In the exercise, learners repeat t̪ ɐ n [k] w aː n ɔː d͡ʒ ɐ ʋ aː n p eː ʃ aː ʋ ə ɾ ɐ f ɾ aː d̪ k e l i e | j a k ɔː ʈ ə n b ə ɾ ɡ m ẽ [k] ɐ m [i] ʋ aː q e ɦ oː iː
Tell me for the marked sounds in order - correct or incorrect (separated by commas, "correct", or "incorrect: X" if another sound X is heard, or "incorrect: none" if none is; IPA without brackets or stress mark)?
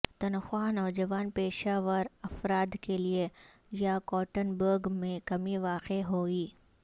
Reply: incorrect: x, correct, correct